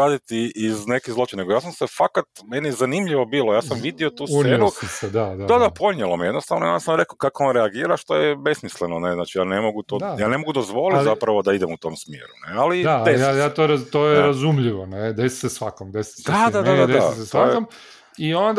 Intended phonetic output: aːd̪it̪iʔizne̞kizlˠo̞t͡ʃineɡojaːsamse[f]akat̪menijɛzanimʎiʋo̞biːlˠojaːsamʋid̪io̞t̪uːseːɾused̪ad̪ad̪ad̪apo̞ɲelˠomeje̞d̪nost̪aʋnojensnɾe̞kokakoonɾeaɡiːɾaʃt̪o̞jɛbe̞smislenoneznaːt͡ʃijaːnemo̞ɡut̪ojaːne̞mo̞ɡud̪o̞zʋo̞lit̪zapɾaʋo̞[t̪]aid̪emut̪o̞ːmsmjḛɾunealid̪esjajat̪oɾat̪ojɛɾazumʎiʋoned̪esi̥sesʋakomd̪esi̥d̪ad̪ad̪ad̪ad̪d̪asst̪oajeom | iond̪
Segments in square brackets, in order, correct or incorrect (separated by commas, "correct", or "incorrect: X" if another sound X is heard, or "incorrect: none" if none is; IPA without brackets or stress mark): correct, incorrect: d̪